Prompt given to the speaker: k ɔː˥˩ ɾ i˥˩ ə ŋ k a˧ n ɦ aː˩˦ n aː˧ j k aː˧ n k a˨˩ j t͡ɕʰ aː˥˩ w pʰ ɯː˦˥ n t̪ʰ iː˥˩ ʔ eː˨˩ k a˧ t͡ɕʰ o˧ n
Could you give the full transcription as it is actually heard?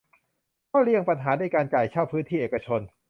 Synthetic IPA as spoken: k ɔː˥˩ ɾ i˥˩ ə ŋ p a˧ n ɦ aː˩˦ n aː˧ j k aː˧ n k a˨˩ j t͡ɕʰ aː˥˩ w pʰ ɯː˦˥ n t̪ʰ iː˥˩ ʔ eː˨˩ k a˧ t͡ɕʰ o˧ n

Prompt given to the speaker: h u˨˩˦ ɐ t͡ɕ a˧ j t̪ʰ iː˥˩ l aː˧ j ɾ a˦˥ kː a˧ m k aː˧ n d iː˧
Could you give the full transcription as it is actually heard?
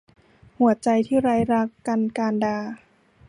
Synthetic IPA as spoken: h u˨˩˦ ɐ t͡ɕ a˧ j t̪ʰ iː˥˩ ɾ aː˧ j ɾ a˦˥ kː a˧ n k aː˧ n d aː˧

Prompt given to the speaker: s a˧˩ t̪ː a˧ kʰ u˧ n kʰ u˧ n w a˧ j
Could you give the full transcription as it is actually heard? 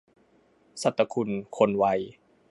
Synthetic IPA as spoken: s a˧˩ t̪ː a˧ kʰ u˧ n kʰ o˧ n w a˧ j

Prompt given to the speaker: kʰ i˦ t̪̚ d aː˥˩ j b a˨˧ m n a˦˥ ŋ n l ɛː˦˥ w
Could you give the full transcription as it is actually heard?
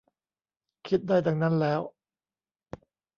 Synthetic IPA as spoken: kʰ i˦ t̪̚ d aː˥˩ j d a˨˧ ŋ n a˦˥ n l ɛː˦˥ w

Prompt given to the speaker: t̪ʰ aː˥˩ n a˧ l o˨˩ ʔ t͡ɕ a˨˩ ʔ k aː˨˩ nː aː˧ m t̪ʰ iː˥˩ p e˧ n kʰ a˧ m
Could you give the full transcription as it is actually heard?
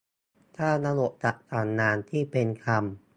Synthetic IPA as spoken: t̪ʰ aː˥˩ n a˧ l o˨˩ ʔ t͡ɕ a˨˩ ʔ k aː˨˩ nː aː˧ n t̪ʰ iː˥˩ p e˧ n kʰ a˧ m

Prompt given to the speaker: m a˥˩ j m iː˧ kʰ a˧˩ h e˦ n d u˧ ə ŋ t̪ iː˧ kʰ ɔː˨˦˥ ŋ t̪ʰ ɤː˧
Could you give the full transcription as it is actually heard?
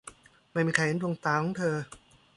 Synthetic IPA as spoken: m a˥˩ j m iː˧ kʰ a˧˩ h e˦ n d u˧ ə ŋ t̪ aː˧ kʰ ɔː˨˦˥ ŋ t̪ʰ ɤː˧

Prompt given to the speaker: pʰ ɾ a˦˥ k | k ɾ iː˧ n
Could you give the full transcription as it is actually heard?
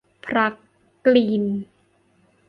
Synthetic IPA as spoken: pʰ ɾ a˦˥ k | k l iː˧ n

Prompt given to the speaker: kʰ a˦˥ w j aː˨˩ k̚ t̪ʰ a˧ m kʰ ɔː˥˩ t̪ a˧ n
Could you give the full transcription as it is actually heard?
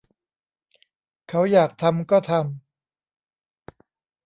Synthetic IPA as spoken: kʰ a˦˥ w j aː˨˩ k̚ t̪ʰ a˧ m k ɔː˥˩ t̪ʰ a˧ m

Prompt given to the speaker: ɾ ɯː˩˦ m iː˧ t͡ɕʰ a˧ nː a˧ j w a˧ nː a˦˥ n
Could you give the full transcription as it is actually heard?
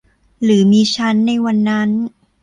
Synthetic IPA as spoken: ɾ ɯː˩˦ m iː˧ t͡ɕʰ a˦˥ nː a˧ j w a˧ nː a˦˥ n

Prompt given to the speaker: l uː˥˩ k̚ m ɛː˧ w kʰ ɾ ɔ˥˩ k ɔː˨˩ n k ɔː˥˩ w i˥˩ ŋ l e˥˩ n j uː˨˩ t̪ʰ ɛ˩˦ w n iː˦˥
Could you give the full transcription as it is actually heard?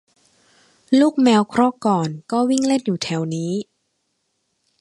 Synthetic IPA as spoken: l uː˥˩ k̚ m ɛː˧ w kʰ ɾ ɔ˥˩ k ɔː˨˩ n k ɔː˥˩ w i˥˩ ŋ l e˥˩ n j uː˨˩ t̪ʰ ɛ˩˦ w n iː˦˥

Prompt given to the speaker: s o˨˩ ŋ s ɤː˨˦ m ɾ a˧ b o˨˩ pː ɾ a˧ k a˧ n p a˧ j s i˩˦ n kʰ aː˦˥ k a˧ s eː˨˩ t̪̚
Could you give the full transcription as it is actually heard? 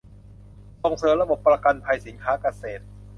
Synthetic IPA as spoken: s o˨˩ ŋ s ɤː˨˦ m ɾ a˧ b o˨˩ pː ɾ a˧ k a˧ n pʰ a˧ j s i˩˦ n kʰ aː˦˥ k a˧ s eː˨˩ t̪̚

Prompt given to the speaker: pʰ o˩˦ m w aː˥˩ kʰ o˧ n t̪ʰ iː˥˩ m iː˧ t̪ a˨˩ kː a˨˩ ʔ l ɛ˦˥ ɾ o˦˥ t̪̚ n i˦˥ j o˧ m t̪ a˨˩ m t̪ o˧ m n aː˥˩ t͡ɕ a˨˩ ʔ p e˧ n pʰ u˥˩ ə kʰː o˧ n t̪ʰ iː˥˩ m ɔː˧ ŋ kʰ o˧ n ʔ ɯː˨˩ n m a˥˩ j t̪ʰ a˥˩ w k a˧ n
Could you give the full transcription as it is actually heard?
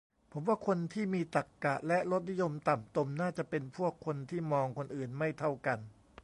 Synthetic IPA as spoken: pʰ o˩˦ m w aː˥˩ kʰ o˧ n t̪ʰ iː˥˩ m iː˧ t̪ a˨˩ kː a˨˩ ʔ l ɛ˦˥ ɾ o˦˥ t̪̚ n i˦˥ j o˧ m t̪ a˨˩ m t̪ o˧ m n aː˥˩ t͡ɕ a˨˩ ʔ p e˧ n pʰ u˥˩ ə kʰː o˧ n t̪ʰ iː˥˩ m ɔː˧ ŋ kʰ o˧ n ʔ ɯː˨˩ n m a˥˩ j t̪ʰ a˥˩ w k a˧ n

